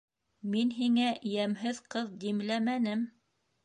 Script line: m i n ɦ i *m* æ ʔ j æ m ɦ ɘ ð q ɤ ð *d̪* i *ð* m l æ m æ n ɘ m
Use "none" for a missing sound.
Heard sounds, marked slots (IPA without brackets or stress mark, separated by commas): ŋ, d̪, none